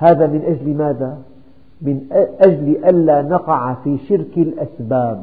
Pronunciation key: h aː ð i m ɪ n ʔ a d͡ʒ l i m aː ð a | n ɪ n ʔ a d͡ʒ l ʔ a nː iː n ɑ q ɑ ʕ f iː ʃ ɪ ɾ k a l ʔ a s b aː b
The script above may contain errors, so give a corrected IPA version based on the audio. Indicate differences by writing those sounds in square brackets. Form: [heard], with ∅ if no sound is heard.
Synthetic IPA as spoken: h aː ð [a] m ɪ n ʔ a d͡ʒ l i m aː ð a | [m] ɪ n ʔ a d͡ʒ l ʔ a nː [aː] n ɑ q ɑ ʕ f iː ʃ ɪ ɾ k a l ʔ a s b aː b